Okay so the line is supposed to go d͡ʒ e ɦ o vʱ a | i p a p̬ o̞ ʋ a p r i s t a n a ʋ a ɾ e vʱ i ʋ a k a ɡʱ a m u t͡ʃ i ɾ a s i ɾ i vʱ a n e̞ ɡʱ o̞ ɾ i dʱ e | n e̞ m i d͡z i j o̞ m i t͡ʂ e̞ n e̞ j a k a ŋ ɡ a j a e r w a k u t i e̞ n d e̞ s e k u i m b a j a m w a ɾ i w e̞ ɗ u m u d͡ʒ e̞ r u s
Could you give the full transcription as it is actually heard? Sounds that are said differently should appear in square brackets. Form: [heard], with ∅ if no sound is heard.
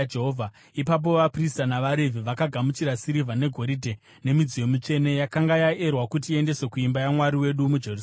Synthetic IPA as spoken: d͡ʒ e ɦ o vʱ a | i p a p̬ o̞ ʋ a p r i s t a n a ʋ a ɾ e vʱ i ʋ a k a ɡʱ a m u t͡ʃ i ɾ a s i ɾ i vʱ a n e̞ ɡʱ o̞ ɾ i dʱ e | n e̞ m i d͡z i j o̞ m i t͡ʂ e̞ n e̞ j a k a ŋ ɡ a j a e r w a k u t i e̞ n d e̞ s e k u i m b a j a m w a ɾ i w e̞ ɗ u m u d͡ʒ e̞ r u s